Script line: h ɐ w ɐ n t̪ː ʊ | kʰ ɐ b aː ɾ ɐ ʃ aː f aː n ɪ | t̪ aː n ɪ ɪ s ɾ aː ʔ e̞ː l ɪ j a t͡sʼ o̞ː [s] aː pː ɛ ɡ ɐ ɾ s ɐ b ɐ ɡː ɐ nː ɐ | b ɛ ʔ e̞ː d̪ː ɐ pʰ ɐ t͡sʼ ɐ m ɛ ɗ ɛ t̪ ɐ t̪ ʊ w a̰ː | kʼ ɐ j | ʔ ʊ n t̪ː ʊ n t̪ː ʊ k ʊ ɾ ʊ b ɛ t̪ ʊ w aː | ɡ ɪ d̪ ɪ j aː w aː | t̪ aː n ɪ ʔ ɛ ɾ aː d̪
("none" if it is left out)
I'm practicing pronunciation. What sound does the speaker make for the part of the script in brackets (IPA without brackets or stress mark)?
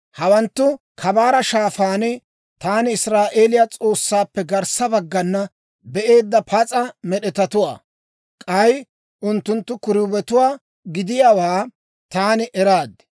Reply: sː